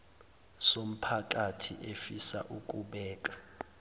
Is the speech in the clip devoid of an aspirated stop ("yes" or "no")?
no